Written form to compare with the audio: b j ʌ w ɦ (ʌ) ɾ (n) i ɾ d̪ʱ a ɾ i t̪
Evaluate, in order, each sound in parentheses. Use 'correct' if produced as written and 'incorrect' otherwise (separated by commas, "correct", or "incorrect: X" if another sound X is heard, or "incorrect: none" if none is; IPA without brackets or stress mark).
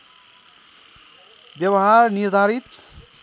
incorrect: a, correct